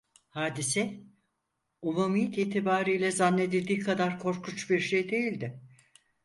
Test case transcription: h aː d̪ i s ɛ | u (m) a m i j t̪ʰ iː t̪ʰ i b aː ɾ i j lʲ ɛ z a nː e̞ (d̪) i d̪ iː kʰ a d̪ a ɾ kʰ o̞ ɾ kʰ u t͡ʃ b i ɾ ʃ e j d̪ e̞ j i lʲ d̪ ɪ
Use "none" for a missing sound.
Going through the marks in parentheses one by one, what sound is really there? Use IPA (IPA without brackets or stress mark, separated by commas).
m, d̪